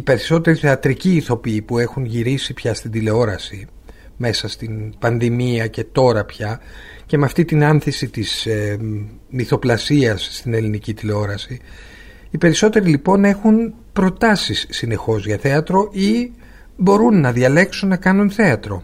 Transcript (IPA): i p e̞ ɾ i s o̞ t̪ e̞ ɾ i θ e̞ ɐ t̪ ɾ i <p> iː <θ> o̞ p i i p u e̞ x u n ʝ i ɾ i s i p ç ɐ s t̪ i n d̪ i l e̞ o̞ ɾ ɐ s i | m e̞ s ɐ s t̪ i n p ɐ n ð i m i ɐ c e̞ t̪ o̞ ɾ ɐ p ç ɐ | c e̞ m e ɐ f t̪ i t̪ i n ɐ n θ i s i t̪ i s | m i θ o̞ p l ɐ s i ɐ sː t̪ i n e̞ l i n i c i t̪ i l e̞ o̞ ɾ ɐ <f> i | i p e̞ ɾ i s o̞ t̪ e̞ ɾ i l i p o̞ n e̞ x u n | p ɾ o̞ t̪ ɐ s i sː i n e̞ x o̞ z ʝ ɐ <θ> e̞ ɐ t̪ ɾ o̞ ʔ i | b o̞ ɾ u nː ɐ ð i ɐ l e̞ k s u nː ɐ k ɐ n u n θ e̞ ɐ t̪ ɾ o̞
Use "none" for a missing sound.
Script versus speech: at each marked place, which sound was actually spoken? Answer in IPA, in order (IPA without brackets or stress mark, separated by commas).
c, θ, s, θ